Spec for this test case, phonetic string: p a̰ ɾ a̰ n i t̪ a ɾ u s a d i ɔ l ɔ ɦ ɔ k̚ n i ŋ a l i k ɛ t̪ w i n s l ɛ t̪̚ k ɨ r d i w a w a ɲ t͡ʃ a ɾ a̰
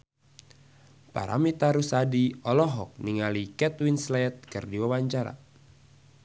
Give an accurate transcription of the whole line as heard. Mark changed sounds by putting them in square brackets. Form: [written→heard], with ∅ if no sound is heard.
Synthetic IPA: p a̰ ɾ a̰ [n→m] i t̪ a ɾ u s a d i ɔ l ɔ ɦ ɔ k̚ n i ŋ a l i k ɛ t̪ w i n s l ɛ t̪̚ k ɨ r d i w a w a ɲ t͡ʃ a ɾ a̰